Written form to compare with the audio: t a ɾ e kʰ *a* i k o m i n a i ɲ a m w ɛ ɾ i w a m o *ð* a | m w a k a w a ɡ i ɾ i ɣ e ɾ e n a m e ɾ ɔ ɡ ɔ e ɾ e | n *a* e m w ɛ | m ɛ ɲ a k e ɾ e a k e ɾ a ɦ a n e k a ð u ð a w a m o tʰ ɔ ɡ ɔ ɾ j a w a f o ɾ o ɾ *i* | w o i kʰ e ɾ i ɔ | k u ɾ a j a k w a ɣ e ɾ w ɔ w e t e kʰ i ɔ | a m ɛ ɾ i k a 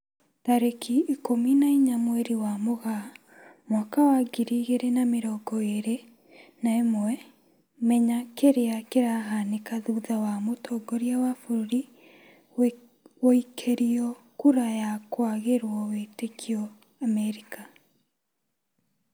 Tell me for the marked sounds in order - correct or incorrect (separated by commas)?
incorrect, incorrect, correct, correct